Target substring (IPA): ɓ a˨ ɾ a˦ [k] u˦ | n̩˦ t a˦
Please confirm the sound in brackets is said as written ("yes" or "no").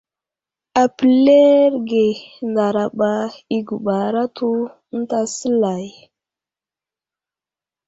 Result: no